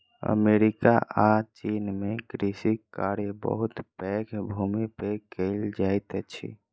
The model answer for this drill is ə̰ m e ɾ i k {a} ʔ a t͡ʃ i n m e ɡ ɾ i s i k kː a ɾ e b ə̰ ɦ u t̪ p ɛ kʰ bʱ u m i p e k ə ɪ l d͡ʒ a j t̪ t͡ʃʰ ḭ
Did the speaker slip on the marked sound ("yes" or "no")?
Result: no